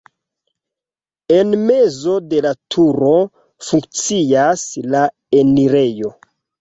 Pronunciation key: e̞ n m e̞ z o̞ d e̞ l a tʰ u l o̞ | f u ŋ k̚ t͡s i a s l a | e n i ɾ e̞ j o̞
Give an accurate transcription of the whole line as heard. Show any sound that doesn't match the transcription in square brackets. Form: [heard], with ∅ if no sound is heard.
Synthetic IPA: e̞ n m e̞ z o̞ d e̞ l a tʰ u [ɾ] o̞ | f u ŋ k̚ t͡s i a s l a | e n i ɾ e̞ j o̞